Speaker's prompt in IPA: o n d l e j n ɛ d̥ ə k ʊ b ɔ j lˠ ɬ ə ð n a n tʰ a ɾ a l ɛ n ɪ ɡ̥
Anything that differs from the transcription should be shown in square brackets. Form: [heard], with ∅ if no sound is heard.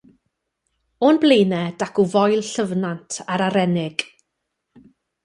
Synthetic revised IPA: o n [b] l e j n ɛ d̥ [a] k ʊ [v] ɔ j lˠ ɬ ə [v] n a n tʰ a ɾ a [ɾ] ɛ n ɪ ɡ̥